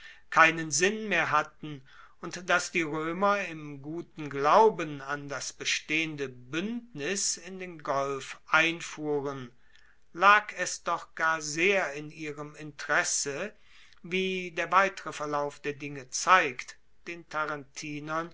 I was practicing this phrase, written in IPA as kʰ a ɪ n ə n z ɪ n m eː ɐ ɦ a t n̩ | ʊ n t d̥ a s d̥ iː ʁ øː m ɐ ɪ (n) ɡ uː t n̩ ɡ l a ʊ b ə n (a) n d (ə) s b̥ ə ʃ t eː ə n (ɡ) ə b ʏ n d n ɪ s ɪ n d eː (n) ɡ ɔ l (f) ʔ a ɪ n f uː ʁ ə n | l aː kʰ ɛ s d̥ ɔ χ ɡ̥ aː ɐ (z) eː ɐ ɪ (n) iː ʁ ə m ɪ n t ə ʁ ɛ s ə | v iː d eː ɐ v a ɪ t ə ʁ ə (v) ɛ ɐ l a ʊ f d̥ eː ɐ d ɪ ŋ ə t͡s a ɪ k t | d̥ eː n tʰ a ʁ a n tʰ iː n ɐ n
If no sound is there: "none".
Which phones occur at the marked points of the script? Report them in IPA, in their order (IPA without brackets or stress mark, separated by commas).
m, a, a, d, n, f, z, n, f